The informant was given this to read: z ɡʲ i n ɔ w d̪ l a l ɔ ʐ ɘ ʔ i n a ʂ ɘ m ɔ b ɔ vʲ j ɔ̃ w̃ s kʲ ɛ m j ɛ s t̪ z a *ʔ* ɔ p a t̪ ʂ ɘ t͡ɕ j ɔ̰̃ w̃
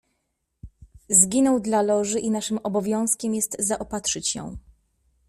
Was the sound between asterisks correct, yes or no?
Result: yes